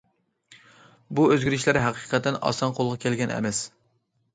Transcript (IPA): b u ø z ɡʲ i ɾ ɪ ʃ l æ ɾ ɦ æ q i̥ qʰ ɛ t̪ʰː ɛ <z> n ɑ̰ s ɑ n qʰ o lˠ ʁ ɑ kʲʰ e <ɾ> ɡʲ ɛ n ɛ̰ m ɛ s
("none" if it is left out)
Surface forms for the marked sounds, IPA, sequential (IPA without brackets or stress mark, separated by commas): none, l